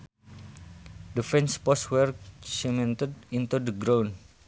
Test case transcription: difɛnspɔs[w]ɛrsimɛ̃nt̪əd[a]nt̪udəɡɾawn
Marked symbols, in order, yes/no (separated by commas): yes, no